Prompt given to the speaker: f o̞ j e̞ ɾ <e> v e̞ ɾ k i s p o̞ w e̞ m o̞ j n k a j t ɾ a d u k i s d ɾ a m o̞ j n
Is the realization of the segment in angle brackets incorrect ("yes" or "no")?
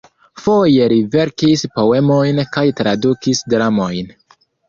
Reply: yes